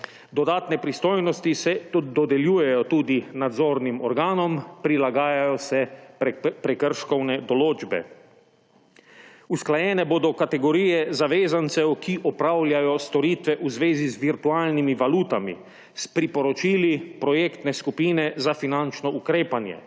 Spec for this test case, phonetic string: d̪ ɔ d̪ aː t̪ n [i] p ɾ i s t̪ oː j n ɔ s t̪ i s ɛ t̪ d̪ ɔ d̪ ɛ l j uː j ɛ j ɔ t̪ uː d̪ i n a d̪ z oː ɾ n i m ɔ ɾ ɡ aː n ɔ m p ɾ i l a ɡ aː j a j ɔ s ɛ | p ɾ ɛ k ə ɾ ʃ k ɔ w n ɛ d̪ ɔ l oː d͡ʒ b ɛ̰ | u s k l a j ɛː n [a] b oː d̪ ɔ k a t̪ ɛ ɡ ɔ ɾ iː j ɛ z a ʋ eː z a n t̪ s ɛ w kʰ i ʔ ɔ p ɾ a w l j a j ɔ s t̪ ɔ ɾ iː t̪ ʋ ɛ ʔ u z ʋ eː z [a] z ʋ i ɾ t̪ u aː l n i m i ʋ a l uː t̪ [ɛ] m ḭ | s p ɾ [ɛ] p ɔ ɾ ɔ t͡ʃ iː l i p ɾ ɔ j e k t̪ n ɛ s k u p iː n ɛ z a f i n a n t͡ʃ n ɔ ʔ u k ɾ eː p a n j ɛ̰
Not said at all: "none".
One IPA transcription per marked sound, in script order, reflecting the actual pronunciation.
ɛ, ɛ, i, a, i

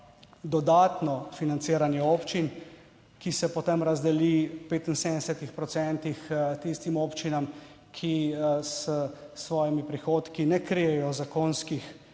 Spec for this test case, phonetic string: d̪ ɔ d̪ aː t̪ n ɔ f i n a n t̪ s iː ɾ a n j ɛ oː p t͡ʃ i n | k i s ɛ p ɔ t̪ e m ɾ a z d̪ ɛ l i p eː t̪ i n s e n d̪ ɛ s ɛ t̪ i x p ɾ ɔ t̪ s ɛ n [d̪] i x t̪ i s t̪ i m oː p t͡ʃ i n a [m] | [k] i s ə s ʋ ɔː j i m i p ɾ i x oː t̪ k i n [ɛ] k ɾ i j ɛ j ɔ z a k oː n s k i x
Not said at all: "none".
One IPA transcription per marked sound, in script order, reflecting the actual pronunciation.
t̪, m, kʰ, ɛ

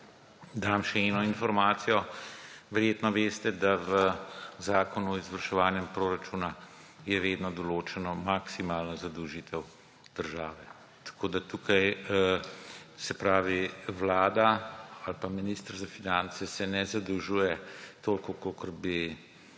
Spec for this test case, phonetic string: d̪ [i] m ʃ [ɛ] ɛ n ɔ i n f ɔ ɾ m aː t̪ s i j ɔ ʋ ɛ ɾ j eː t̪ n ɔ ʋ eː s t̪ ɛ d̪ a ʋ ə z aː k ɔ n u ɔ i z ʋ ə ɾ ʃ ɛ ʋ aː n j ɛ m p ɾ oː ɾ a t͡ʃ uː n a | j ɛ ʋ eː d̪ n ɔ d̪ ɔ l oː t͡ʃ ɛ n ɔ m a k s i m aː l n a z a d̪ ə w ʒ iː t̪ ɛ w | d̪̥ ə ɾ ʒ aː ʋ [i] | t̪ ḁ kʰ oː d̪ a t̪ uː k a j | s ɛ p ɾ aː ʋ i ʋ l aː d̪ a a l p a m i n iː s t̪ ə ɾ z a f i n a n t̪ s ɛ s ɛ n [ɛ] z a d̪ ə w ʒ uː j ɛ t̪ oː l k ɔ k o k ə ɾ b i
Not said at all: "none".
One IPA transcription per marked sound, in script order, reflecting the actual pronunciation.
a, ɛ, ɛ, ɛ

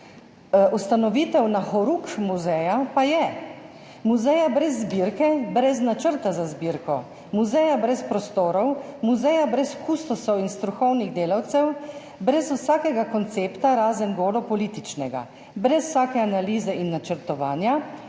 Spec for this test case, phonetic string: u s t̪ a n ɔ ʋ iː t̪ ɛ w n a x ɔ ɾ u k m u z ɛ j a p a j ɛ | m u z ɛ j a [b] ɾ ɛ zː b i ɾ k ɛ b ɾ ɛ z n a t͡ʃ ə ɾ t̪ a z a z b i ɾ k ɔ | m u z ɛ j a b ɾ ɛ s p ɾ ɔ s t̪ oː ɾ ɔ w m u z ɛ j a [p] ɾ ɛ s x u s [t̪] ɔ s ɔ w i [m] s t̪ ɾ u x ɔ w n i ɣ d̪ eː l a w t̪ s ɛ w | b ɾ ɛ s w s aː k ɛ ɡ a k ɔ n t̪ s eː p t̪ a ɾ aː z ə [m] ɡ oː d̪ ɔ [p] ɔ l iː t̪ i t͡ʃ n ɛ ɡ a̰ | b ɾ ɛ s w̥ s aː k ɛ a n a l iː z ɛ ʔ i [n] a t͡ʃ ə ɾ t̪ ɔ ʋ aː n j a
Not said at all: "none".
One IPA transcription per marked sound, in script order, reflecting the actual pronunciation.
b, b, t̪, n, n, p, nː

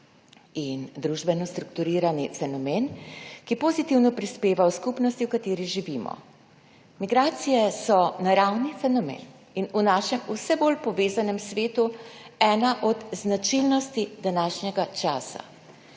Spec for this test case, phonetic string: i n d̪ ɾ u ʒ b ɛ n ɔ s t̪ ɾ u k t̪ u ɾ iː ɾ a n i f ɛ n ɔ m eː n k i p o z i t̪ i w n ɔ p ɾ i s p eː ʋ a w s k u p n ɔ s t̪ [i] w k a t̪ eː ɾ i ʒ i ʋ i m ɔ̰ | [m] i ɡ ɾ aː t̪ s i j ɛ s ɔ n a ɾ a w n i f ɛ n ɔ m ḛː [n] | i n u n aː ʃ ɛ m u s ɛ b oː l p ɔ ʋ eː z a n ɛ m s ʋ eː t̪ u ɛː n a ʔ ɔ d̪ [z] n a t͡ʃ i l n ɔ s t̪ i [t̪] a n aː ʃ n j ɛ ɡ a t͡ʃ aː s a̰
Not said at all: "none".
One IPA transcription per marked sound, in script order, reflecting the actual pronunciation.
i, m, n, z, d̪

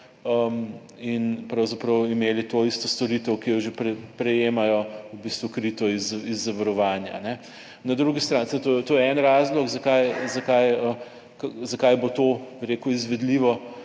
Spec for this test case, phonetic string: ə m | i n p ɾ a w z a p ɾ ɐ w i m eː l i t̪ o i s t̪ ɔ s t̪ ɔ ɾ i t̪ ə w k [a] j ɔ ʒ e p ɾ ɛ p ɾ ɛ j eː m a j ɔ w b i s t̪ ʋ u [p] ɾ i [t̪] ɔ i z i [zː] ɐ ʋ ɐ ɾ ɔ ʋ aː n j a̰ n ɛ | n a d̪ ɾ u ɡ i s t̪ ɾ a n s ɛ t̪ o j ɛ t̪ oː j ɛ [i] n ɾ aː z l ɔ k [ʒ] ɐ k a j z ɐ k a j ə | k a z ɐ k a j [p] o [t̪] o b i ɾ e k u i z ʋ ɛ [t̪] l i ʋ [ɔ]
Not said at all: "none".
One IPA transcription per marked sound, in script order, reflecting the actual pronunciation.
i, k, t̪, zː, ɛ, z, b, t̪, d̪, ɔ

